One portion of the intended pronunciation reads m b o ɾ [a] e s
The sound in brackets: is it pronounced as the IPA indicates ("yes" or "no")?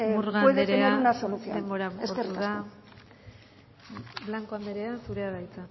yes